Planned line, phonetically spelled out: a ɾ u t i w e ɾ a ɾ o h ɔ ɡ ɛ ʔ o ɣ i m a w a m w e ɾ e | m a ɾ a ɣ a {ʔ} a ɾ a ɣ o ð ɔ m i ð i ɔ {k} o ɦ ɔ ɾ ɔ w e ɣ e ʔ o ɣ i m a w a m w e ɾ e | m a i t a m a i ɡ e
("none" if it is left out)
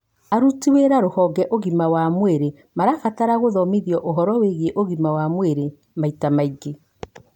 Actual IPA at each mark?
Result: t, ʔ

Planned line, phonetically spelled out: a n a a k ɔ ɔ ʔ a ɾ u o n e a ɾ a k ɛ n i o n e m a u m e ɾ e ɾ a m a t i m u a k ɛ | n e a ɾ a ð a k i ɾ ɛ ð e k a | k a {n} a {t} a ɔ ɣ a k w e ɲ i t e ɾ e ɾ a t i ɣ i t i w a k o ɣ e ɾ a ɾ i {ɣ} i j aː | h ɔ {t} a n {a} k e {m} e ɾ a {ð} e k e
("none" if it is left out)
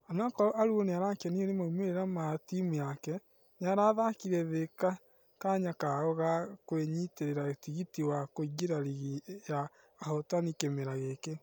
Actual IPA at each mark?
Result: ɲ, k, ɣ, t, i, m, ɣ

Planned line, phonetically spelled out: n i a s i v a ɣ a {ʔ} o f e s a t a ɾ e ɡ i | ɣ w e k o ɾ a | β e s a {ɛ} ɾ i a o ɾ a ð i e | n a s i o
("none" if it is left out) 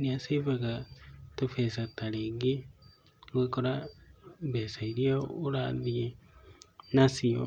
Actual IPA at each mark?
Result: t, i

